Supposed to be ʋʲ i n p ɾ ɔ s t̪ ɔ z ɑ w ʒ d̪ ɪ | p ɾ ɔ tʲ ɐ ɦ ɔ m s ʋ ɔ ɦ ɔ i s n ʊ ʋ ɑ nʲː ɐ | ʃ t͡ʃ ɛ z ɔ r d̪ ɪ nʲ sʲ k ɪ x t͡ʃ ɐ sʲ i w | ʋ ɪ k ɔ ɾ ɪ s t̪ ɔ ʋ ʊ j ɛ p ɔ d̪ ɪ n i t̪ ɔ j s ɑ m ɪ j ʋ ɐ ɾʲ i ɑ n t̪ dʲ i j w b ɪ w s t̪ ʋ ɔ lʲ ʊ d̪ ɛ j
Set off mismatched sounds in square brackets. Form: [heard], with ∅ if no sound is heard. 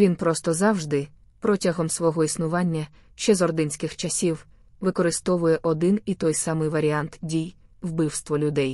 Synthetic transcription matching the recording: ʋʲ i n p ɾ ɔ s t̪ ɔ z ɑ w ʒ d̪ ɪ | p ɾ ɔ tʲ ɐ ɦ ɔ m s ʋ ɔ ɦ ɔ i s n ʊ ʋ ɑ nʲː ɐ | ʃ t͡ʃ ɛ z ɔ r d̪ ɪ nʲ sʲ k ɪ x t͡ʃ ɐ sʲ i w | ʋ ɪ k ɔ ɾ ɪ s t̪ ɔ ʋ ʊ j ɛ [ʔ] ɔ d̪ ɪ n i t̪ ɔ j s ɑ m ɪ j ʋ ɐ ɾʲ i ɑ n t̪ dʲ i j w b ɪ w s t̪ ʋ ɔ lʲ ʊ d̪ ɛ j